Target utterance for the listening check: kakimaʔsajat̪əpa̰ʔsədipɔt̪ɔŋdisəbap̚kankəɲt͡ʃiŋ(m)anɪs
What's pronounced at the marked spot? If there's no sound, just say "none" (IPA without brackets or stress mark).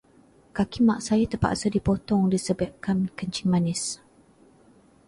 m